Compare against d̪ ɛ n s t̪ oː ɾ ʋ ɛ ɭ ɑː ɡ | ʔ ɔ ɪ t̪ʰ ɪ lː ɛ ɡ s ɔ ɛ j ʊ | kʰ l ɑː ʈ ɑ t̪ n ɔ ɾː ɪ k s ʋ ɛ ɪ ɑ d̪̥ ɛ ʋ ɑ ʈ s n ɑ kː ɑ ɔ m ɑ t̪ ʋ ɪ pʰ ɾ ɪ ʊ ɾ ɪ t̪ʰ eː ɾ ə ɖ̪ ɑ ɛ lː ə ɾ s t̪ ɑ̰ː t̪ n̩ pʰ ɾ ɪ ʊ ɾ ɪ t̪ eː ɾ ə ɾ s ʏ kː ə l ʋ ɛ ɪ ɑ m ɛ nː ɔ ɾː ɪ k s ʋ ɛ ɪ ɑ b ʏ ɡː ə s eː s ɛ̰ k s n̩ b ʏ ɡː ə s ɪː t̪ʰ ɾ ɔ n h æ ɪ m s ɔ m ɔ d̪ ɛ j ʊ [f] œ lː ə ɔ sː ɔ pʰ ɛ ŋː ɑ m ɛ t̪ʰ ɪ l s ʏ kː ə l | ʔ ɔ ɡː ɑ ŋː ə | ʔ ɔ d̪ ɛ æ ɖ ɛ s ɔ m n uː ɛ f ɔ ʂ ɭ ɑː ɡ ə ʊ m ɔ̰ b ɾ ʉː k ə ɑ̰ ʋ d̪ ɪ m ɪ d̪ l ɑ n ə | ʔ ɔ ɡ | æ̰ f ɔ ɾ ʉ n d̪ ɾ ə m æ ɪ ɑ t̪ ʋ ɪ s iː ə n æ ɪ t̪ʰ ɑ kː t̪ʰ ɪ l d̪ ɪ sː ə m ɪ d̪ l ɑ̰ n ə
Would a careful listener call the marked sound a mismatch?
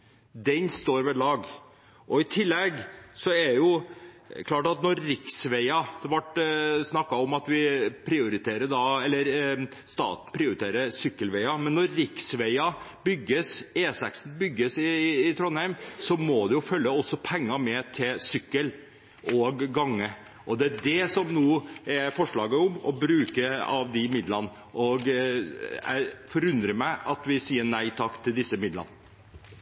no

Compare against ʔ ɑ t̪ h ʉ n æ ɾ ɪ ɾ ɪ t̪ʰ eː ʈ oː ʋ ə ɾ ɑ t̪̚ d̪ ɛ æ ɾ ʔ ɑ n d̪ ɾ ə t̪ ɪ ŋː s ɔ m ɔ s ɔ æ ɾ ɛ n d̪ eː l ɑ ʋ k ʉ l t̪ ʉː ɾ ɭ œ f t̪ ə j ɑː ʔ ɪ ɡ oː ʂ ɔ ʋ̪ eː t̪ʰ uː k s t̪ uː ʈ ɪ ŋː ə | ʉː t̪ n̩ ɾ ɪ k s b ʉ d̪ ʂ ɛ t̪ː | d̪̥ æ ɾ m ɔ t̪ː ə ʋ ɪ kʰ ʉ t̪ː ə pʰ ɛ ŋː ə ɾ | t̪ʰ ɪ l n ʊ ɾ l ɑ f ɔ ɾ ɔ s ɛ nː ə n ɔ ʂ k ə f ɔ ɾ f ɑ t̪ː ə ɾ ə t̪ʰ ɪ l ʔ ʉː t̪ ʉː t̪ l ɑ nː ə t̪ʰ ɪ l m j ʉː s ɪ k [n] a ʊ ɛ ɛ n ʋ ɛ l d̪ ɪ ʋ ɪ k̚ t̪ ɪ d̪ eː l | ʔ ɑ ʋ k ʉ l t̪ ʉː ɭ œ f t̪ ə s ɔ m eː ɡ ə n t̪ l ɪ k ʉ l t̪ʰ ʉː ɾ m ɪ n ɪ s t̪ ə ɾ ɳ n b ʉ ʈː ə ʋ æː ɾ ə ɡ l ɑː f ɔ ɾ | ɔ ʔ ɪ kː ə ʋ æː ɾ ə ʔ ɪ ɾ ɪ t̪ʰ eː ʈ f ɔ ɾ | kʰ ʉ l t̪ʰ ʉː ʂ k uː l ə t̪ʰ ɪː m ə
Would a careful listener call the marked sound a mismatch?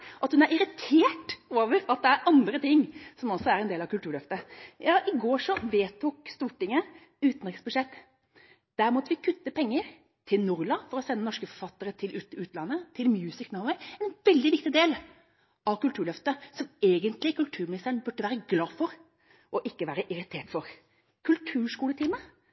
no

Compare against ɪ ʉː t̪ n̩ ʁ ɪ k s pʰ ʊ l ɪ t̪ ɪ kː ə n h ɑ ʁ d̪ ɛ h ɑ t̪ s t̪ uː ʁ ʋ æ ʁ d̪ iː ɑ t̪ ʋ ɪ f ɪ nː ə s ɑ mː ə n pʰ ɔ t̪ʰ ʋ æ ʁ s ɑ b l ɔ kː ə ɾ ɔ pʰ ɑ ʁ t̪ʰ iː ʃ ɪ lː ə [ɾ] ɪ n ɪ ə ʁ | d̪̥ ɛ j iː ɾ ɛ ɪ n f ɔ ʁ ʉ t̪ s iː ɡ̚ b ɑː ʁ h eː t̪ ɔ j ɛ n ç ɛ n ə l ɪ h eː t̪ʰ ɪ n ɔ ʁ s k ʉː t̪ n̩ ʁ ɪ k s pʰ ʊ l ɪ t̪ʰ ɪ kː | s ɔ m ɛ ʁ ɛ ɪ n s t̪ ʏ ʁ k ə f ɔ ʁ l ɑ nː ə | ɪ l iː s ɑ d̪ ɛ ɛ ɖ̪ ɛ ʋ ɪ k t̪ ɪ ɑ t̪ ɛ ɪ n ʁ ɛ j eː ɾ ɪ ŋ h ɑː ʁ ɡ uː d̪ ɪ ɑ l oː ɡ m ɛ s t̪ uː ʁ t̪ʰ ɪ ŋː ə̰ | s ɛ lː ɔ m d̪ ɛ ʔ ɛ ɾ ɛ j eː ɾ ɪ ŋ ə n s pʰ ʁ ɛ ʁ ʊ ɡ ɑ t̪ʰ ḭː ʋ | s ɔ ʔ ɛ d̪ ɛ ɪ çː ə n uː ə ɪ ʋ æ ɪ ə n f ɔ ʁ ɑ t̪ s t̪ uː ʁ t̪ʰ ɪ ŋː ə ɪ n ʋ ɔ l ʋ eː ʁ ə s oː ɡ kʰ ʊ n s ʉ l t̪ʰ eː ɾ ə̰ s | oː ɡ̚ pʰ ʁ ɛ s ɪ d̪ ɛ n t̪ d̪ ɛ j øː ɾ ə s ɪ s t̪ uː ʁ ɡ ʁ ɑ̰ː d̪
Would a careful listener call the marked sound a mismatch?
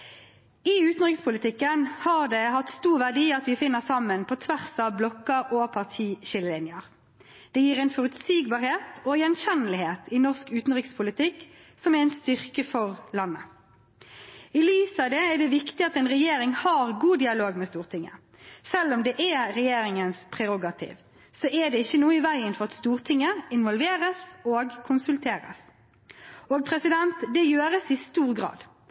yes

